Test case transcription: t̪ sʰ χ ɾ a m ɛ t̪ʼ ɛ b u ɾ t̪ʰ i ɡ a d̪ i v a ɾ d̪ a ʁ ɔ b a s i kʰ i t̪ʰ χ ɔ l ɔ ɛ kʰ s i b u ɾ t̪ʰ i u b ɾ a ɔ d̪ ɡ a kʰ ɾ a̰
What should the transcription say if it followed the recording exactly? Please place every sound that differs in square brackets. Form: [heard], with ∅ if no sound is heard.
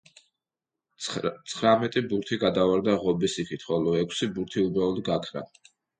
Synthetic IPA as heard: t̪ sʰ χ ɾ a m ɛ t̪ʼ [i] b u ɾ t̪ʰ i ɡ a d̪ [a] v a ɾ d̪ a ʁ ɔ b [i] s i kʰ i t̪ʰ χ ɔ l ɔ ɛ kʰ s i b u ɾ t̪ʰ i u b ɾ a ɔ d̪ ɡ a kʰ ɾ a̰